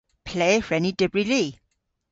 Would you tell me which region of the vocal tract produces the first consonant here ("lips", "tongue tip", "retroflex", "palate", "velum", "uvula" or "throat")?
lips